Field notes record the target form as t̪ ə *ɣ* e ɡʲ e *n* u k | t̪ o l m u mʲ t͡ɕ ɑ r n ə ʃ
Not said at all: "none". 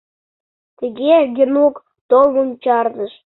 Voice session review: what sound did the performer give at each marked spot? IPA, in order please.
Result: ɣ, n

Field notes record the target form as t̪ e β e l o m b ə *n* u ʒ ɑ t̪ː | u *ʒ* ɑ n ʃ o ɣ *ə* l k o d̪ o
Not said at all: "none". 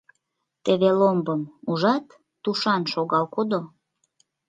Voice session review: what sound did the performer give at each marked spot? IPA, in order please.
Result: m, ʃ, ɑ

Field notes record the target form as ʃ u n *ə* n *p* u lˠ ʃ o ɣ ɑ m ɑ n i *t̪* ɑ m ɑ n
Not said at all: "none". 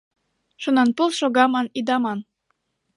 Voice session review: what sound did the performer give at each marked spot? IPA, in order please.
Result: ɑ, p, d̪

